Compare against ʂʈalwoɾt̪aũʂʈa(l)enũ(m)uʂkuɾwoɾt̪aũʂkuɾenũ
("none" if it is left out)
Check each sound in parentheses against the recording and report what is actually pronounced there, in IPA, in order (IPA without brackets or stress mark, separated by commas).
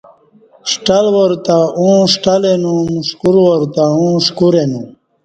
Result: l, m